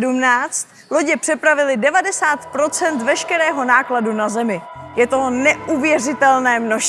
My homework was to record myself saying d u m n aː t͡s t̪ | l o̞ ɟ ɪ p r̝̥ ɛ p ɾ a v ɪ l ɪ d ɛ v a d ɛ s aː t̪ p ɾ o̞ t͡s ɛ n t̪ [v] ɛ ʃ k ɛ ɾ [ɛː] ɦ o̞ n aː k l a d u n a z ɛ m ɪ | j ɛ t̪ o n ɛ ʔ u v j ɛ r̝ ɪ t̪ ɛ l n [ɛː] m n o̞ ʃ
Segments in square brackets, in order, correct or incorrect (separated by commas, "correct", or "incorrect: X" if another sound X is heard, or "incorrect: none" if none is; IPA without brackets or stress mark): correct, correct, correct